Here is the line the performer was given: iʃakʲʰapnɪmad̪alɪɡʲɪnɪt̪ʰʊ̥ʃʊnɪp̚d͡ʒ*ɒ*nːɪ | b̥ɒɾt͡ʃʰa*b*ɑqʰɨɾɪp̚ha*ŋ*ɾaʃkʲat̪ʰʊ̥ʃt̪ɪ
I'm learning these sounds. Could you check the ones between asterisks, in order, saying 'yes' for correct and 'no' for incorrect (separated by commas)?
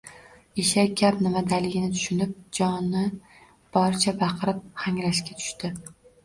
yes, yes, yes